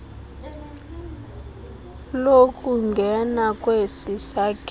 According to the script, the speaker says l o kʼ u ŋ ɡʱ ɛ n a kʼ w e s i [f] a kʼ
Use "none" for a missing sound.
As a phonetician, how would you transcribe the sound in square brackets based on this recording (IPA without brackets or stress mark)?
s